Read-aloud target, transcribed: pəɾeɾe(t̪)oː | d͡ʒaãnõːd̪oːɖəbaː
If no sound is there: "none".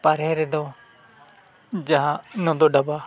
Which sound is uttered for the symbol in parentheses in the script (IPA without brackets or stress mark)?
d̪